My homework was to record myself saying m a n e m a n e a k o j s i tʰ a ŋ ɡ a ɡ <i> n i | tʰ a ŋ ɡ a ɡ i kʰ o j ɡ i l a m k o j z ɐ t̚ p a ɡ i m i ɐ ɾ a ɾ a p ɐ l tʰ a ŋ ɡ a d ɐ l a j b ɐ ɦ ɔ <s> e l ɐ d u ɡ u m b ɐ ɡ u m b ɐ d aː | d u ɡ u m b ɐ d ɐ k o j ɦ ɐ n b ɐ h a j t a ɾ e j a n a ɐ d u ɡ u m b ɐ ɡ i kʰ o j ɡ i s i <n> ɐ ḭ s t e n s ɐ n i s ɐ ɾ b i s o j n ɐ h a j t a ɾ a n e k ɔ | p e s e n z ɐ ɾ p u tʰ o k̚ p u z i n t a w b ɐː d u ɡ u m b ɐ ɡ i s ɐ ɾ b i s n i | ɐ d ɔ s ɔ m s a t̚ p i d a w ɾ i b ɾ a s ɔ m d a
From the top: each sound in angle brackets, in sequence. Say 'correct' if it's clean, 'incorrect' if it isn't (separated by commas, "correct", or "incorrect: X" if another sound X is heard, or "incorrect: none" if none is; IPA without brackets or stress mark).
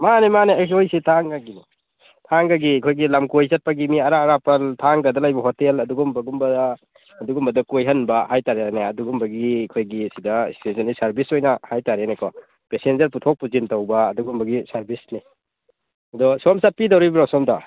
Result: correct, incorrect: t, incorrect: d